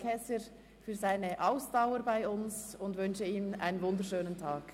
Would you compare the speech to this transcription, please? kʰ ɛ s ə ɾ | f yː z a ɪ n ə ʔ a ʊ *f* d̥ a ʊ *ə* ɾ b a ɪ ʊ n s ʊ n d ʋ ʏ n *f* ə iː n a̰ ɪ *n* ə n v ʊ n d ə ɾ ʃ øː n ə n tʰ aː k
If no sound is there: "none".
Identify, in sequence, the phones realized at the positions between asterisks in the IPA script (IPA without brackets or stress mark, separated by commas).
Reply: s, ə, ʃ, n